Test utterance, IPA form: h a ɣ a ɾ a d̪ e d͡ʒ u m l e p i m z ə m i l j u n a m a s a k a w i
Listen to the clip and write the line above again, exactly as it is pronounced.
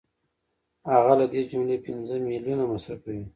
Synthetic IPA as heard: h a ɣ a l a d̪ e d͡ʒ u m l e p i n z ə m i l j u n a m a s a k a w i